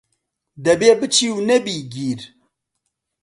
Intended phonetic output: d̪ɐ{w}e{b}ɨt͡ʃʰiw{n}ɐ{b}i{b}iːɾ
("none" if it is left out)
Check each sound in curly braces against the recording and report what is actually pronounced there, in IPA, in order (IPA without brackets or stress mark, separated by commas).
b, b, n, b, ɡ